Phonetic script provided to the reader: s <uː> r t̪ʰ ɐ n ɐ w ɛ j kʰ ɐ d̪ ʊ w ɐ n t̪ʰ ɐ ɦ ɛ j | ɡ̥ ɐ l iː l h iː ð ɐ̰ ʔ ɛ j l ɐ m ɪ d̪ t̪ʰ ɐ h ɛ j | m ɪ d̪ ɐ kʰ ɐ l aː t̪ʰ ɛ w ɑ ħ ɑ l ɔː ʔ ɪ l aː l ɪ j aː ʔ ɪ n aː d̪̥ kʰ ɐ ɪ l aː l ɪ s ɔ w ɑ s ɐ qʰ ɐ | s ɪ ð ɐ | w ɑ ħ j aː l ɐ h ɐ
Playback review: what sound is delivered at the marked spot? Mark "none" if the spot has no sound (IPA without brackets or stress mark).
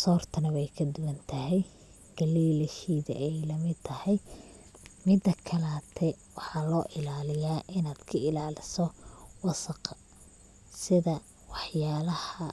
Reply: ɔː